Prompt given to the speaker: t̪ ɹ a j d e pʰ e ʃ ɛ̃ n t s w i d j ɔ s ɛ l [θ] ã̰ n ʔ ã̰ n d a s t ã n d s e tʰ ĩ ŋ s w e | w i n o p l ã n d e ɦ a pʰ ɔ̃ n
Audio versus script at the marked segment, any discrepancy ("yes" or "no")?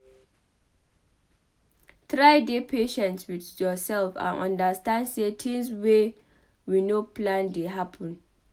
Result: yes